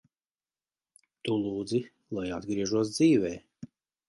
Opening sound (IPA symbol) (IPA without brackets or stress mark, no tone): t̪